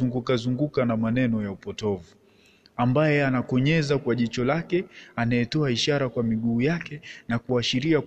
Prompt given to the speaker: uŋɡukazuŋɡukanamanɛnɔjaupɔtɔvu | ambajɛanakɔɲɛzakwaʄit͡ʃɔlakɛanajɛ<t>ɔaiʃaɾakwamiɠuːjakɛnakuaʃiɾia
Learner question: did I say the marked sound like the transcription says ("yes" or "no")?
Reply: yes